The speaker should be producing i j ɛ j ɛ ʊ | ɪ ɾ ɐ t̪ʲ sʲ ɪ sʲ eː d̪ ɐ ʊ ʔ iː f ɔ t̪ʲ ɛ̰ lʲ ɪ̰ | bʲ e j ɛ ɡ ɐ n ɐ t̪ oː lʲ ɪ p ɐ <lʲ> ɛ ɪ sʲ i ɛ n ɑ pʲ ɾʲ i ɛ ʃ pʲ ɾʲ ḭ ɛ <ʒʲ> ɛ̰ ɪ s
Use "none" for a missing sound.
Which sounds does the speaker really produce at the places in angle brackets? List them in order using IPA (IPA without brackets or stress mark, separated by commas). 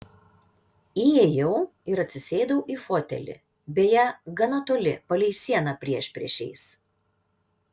lʲ, ʃʲ